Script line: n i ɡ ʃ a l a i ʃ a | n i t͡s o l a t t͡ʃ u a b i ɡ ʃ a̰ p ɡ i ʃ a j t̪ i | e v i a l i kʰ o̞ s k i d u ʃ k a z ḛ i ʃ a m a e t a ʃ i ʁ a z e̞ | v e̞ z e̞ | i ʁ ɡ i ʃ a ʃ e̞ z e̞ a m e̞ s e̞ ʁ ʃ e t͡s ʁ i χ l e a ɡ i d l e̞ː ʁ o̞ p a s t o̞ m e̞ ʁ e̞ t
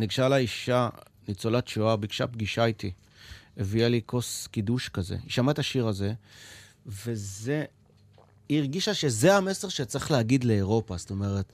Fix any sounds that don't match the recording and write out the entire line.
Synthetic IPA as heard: n i ɡ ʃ a l a i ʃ a | n i t͡s o l a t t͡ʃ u a b i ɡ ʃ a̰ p ɡ i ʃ a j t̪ i | e v i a l i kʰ o̞ s k i d u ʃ k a z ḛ i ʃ a m a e t a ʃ i ʁ a z e̞ | v e̞ z e̞ | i ʁ ɡ i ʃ a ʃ e̞ z e̞ a m e̞ s e̞ ʁ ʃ e t͡s ʁ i χ l e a ɡ i d l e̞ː ʁ o̞ p a s t o̞ m e̞ ʁ e̞ t